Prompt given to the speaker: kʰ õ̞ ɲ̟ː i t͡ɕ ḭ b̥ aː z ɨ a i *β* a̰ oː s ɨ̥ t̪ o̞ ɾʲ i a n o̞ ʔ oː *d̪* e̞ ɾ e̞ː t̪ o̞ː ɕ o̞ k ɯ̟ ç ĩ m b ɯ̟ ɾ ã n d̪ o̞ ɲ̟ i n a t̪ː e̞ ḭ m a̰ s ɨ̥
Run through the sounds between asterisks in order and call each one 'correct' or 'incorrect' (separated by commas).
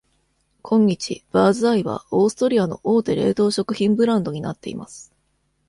correct, incorrect